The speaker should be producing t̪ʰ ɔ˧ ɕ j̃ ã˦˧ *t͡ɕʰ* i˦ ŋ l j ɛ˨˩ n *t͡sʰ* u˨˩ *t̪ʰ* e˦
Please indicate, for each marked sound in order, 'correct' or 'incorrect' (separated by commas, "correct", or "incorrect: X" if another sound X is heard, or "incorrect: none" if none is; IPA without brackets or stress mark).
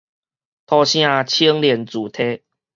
correct, incorrect: t͡s, correct